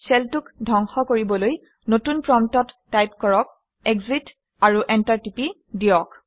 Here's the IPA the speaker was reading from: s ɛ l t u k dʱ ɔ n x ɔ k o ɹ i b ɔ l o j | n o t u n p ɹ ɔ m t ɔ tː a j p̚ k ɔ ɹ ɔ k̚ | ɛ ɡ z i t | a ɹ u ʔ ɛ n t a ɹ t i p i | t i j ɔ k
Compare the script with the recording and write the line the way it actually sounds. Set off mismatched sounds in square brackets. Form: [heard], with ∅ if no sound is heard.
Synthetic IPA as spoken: s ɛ l t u k dʱ ɔ [ŋ] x ɔ k o ɹ i b ɔ l o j | n o t u n p ɹ ɔ m t ɔ tː a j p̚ k ɔ ɹ ɔ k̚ | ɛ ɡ z i t | a ɹ u ʔ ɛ n t a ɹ t i p i | [d] i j ɔ k